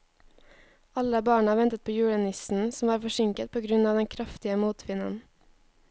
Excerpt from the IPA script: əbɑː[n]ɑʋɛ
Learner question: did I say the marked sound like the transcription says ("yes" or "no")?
no